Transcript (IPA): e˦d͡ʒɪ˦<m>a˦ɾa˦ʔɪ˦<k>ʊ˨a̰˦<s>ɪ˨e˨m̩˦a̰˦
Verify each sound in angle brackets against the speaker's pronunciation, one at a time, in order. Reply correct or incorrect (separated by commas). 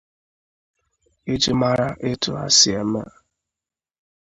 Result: correct, incorrect, correct